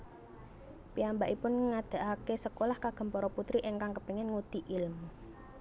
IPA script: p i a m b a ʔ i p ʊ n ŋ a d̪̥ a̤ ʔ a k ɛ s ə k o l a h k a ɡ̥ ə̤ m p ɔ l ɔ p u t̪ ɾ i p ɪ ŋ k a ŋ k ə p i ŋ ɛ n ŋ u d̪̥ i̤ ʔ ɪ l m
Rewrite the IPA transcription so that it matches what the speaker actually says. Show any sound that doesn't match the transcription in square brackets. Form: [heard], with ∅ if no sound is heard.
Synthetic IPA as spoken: p i a m b a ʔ i p ʊ n ŋ a d̪̥ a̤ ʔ a k [e] s ə k o l a h k a ɡ̥ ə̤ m p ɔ [ɾ] ɔ p u t̪ ɾ i [ʔ] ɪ ŋ k a ŋ k ə p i ŋ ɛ n ŋ u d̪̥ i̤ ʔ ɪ l m